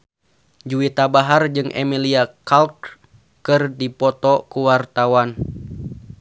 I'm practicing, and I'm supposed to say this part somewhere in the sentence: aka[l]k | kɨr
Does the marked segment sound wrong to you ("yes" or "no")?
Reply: no